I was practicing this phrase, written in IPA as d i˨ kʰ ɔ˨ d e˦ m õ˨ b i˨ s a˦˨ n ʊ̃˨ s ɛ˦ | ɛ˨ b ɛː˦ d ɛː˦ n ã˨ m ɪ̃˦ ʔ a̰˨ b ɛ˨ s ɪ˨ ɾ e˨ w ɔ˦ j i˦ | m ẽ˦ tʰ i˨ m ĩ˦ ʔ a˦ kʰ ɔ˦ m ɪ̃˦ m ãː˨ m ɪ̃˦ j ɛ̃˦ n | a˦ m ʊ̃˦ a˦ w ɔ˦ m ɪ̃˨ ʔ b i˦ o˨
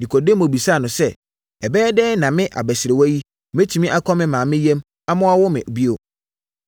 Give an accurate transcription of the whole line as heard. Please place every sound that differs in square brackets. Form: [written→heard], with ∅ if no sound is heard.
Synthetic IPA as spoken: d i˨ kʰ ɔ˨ d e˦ m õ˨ b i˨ s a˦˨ n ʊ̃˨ s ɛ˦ | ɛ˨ b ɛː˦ d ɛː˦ n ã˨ m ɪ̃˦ ʔ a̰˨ b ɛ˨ s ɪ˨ ɾ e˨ w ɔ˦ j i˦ | m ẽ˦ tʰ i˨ m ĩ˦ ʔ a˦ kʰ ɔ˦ m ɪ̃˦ m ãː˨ m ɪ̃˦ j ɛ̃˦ [n→m] | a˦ m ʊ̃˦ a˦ w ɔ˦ m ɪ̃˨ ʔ b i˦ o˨